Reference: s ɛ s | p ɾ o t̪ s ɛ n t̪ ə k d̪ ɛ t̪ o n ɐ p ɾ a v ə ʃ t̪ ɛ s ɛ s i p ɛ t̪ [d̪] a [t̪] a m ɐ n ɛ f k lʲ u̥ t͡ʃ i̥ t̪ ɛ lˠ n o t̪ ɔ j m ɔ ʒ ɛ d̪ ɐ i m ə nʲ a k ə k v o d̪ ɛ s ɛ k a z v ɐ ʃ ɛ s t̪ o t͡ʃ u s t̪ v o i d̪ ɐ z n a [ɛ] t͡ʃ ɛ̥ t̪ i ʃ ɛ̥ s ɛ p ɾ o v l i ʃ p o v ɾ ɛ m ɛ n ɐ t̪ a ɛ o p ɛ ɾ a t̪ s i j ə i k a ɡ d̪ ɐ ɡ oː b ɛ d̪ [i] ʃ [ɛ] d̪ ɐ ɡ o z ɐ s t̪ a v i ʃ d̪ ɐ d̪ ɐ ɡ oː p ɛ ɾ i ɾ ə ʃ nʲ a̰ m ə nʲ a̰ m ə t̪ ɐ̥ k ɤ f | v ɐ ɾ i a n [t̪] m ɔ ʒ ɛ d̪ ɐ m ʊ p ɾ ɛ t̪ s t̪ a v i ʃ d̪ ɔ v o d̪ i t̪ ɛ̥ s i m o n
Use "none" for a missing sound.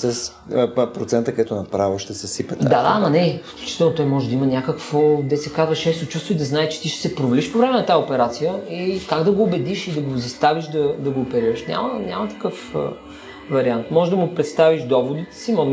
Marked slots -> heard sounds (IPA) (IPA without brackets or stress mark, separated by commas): d̪, d̪, ɛ, i, i, t̪